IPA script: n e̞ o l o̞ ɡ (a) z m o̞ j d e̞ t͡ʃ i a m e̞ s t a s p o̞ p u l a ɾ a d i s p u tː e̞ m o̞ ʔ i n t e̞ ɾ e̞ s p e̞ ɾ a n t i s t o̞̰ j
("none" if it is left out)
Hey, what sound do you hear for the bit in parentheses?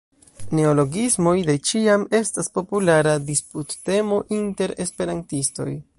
i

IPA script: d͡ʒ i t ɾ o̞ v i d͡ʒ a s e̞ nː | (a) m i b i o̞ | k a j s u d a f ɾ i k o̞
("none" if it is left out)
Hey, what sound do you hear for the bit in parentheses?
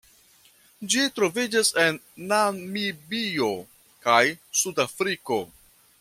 a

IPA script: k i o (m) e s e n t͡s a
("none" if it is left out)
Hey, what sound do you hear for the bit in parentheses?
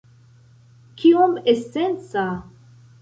m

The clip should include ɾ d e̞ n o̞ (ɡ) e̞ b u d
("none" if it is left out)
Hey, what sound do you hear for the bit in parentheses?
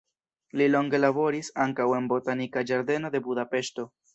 d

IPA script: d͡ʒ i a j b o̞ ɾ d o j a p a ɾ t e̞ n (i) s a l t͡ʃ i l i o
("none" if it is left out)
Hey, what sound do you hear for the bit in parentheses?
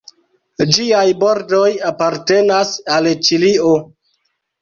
a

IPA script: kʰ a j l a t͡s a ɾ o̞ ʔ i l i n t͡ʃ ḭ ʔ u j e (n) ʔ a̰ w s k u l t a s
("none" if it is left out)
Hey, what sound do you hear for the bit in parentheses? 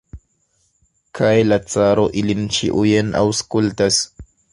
n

